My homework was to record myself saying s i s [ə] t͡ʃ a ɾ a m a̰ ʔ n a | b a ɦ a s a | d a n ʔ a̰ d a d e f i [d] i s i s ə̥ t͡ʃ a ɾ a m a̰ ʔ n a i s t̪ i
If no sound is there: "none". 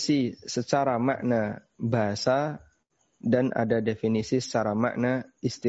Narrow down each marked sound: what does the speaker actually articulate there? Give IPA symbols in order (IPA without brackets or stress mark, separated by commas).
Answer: ə, n